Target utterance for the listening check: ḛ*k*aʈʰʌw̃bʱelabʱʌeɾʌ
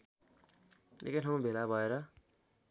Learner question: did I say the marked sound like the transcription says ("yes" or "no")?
yes